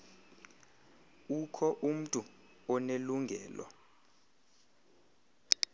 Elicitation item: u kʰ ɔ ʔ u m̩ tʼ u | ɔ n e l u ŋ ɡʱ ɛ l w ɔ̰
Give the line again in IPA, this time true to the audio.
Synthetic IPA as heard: u kʰ ɔ ʔ u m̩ tʼ u | ɔ n e l u ŋ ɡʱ ɛː l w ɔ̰